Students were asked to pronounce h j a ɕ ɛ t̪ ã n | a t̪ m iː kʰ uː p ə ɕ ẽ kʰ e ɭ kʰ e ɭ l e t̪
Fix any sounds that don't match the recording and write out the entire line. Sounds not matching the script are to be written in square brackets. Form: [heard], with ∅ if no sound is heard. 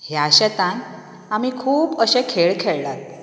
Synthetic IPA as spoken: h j a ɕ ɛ t̪ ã n | a [∅] m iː kʰ uː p ə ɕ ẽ kʰ e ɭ kʰ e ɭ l [a] t̪